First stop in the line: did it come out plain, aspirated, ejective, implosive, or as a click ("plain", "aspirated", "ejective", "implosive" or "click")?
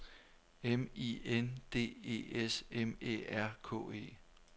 plain